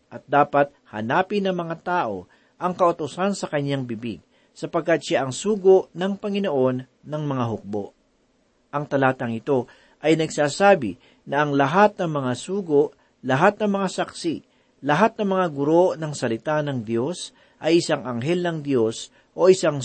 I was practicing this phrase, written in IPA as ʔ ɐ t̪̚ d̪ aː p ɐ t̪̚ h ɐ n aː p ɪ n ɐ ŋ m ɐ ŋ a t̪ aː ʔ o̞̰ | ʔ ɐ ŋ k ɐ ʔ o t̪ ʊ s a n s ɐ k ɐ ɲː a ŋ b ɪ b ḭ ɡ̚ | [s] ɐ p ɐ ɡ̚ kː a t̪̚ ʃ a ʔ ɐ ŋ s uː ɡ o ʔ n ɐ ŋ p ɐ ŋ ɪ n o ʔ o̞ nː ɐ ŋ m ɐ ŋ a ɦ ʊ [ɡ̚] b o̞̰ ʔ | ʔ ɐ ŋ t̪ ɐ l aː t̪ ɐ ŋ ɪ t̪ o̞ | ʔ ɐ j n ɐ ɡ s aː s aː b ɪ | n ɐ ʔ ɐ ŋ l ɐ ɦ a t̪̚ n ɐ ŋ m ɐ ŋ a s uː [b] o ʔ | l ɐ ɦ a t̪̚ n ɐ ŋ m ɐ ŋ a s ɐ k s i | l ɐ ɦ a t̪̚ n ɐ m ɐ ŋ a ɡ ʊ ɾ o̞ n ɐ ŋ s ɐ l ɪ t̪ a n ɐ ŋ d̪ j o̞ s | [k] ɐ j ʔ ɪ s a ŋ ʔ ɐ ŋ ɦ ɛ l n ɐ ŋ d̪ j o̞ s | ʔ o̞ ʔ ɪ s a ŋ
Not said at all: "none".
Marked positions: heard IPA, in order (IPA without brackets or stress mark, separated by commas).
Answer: s, k̚, ɡ, ʔ